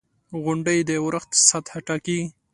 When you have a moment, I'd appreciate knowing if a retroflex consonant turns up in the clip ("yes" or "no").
yes